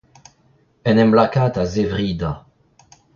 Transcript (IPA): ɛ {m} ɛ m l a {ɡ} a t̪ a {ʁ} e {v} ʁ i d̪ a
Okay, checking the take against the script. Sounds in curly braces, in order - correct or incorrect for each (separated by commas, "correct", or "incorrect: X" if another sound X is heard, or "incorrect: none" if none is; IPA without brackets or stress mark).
incorrect: n, incorrect: k, incorrect: z, correct